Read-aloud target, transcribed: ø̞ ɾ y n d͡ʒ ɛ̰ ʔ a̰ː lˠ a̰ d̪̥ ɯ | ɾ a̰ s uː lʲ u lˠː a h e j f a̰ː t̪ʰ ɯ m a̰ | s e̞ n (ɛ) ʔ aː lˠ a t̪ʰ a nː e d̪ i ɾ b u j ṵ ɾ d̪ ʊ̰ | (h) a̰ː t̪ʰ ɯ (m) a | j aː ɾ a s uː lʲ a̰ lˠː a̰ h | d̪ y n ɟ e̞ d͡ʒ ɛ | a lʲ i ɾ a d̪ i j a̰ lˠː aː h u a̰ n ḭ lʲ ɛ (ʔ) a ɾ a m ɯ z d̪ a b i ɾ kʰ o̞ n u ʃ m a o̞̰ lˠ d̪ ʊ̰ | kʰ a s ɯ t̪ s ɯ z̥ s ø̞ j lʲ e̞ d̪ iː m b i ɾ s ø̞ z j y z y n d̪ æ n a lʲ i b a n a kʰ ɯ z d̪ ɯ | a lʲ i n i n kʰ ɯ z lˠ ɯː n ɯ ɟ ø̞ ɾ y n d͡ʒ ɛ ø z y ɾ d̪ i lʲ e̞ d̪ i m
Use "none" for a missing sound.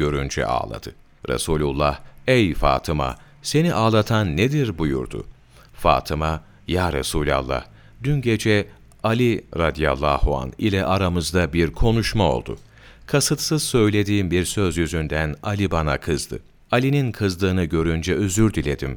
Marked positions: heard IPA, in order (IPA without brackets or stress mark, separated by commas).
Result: i, f, m, ʔ